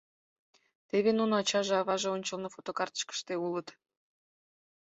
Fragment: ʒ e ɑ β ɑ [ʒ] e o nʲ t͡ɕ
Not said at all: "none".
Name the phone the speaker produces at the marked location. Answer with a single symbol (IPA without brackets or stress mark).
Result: ʒ